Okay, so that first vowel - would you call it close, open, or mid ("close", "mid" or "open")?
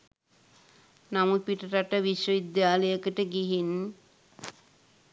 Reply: open